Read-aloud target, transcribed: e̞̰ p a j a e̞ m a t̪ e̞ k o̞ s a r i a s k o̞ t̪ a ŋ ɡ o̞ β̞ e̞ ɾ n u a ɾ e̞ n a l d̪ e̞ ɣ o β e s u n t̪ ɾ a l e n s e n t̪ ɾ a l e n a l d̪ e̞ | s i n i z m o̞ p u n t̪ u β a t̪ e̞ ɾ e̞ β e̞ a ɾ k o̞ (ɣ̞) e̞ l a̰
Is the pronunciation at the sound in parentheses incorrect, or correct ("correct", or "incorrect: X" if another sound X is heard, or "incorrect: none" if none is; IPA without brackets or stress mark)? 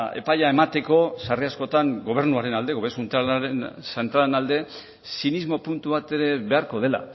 incorrect: ð̞